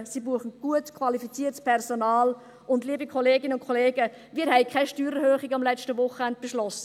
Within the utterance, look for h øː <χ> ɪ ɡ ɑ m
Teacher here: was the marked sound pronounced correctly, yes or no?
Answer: yes